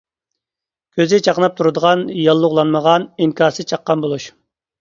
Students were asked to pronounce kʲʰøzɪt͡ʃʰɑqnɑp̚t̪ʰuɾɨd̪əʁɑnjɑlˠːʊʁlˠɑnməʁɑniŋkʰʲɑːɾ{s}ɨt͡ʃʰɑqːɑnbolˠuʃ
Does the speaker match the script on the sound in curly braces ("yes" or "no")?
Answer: yes